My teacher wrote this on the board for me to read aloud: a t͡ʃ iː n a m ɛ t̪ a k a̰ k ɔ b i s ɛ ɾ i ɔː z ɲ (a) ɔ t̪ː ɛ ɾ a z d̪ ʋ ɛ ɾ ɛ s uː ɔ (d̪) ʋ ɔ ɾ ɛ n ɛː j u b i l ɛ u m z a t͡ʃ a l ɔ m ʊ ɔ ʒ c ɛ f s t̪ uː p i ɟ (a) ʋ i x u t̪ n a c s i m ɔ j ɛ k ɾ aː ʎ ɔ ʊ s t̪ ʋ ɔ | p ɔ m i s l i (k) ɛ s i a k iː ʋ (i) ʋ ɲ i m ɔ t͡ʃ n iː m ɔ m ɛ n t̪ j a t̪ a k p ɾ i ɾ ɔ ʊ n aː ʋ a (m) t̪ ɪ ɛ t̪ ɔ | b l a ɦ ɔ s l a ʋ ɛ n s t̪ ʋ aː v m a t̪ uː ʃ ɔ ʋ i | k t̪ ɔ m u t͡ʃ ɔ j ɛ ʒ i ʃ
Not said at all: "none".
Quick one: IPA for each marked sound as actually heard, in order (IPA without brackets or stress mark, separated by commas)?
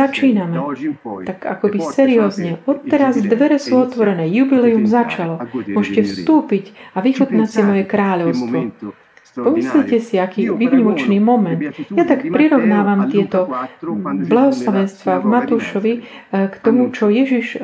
ɛ, t̪, a, c, i, m